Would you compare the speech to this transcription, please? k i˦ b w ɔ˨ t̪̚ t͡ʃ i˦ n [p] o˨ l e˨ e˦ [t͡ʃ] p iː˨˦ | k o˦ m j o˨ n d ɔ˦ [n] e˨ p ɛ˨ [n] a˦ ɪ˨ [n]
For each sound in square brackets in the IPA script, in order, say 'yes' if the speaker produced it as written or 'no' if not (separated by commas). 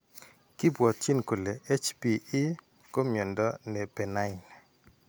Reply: no, yes, yes, yes, yes